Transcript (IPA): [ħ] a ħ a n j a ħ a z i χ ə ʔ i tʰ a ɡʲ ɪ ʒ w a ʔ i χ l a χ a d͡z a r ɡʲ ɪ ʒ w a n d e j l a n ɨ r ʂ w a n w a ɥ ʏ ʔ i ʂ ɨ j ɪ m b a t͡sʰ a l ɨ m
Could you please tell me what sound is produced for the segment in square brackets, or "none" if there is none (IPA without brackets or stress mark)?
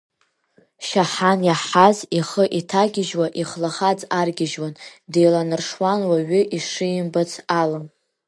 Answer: ʃ